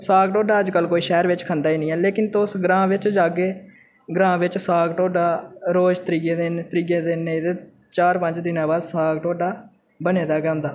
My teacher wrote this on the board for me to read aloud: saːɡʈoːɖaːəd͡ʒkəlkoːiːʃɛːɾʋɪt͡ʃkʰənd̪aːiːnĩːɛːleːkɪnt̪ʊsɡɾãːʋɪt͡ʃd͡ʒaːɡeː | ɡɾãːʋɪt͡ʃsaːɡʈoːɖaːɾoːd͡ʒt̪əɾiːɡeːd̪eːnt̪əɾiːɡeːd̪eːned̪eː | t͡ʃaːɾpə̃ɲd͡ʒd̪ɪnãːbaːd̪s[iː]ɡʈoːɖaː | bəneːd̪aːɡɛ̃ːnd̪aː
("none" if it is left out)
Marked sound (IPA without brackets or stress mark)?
aː